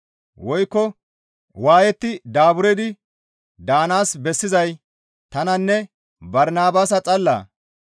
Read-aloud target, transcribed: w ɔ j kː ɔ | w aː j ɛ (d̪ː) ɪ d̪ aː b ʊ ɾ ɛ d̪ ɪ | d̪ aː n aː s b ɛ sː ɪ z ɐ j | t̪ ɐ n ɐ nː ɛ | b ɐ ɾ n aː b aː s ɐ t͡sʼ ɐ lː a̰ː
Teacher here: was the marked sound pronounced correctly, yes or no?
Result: no